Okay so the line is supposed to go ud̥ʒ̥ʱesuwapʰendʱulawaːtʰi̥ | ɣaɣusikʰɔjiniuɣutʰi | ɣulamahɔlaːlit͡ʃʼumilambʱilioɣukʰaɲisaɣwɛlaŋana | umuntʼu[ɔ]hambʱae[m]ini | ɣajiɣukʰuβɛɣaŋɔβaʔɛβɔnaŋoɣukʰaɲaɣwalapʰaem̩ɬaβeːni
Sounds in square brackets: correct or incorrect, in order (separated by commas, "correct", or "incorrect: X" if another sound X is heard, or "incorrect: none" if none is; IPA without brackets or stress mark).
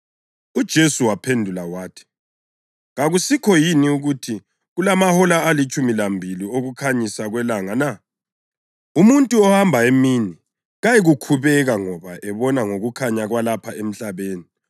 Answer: correct, correct